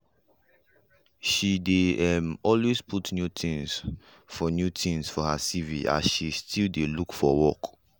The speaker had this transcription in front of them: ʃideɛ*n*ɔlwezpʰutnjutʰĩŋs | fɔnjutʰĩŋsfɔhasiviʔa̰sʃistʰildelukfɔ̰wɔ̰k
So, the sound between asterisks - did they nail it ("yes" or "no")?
no